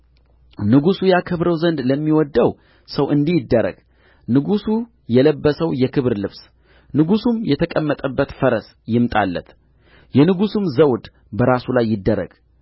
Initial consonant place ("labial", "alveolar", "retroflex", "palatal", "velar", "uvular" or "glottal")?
alveolar